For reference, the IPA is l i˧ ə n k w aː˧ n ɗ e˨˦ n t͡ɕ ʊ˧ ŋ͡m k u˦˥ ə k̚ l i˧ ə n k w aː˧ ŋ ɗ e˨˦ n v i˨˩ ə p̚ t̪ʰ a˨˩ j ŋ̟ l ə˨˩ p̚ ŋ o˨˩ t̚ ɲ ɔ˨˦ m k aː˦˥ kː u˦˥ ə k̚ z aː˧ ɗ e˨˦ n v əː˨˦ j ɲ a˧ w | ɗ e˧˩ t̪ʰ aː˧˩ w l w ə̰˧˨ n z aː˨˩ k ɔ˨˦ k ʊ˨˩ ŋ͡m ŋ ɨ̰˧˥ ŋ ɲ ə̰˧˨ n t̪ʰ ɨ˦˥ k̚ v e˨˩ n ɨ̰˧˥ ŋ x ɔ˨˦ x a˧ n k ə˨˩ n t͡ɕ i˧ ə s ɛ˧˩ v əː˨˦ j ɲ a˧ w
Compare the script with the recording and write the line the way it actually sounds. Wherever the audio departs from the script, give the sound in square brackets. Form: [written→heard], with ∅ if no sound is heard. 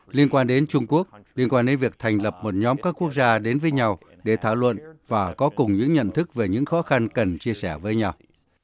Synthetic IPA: l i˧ ə n k w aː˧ n ɗ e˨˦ n t͡ɕ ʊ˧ ŋ͡m k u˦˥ ə k̚ l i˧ ə n k w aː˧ [ŋ→n] ɗ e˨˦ n v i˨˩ ə [p̚→k̚] t̪ʰ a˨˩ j ŋ̟ l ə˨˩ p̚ [ŋ→m] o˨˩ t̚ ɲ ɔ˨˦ m k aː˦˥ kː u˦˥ ə k̚ z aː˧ ɗ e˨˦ n v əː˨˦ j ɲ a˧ w | ɗ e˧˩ t̪ʰ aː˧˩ w l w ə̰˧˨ n [z→v] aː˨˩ k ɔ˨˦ k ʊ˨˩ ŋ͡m [ŋ→ɲ] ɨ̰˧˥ ŋ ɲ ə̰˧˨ n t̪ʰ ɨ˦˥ k̚ v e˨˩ [n→ɲ] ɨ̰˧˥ ŋ x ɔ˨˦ x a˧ n k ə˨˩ n t͡ɕ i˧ ə s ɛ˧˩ v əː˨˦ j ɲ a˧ w